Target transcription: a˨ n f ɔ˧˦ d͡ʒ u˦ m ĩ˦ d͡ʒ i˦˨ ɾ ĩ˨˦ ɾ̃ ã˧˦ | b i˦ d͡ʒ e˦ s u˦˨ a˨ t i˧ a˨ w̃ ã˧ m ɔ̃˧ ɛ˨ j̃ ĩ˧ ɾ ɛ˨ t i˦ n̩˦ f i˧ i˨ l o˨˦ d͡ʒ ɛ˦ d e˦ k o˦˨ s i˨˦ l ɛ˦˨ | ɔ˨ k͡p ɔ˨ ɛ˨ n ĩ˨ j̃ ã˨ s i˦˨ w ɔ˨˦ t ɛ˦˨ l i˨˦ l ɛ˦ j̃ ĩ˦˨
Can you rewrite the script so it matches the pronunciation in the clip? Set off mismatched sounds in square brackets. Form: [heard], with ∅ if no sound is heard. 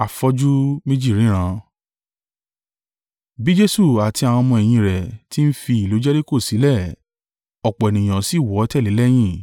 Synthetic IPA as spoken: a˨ [∅] f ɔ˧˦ d͡ʒ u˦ m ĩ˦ d͡ʒ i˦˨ ɾ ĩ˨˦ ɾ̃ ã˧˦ | b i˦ d͡ʒ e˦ s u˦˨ a˨ t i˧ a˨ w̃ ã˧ m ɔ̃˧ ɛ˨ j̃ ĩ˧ ɾ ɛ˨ t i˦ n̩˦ f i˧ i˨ l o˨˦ d͡ʒ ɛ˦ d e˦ k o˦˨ s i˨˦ l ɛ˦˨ | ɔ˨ k͡p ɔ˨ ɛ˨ n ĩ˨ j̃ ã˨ s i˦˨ w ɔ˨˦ t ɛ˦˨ l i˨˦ l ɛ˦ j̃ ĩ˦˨